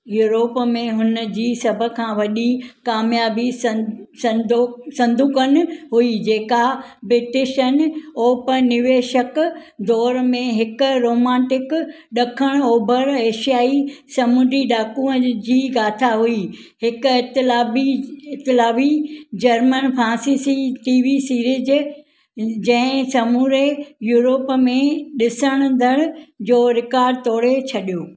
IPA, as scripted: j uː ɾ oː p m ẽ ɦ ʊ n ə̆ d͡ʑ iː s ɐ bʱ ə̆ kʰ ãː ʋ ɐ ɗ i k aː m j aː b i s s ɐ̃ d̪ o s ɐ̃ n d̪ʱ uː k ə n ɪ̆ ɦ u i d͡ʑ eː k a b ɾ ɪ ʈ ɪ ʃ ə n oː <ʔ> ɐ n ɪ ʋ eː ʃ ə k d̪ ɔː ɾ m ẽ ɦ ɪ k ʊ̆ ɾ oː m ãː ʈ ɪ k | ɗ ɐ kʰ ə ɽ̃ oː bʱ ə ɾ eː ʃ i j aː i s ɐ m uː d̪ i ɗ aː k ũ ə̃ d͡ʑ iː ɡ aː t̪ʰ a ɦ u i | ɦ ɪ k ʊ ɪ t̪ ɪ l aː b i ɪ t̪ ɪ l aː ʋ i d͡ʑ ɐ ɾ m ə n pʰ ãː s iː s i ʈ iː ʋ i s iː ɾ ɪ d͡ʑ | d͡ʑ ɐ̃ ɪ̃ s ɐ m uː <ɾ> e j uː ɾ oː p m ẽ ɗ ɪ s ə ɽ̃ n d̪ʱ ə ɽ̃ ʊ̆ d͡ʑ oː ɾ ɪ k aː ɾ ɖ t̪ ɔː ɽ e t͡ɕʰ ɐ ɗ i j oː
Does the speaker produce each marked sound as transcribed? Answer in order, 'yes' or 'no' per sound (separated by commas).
no, yes